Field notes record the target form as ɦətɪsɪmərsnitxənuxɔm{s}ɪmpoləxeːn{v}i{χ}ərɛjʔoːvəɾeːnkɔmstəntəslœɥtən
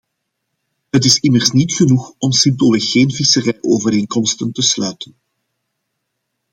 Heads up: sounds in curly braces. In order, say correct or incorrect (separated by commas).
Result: correct, correct, incorrect